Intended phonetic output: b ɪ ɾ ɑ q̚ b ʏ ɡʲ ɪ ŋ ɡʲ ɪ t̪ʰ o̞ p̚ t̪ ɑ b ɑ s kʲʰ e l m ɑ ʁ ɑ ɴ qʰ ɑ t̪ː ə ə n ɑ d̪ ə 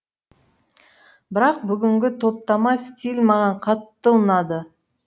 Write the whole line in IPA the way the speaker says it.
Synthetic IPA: b ɪ ɾ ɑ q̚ b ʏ ɡʲ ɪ ŋ ɡʲ ɪ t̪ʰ o̞ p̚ t̪ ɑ m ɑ s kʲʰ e l m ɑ ʁ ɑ ɴ qʰ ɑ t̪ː ə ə n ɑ d̪ ə